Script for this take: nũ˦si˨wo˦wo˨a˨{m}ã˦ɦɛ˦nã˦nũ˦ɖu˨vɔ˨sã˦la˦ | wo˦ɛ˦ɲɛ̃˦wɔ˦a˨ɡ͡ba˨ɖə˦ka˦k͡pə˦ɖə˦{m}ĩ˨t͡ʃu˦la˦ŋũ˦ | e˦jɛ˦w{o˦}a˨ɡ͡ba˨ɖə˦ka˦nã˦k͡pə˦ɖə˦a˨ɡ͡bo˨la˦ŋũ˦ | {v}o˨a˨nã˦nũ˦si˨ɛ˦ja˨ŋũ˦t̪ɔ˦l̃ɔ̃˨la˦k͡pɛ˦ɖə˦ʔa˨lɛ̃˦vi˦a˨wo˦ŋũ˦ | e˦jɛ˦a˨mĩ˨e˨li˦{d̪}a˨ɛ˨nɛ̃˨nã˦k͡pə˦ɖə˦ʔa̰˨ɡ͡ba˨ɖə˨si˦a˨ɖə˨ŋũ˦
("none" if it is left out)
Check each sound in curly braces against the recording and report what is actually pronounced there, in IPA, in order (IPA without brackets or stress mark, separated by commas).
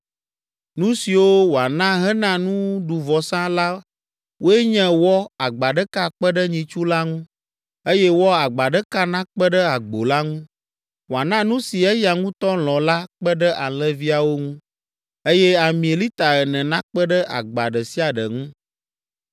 n, ɲ, ɔ˦, w, t̪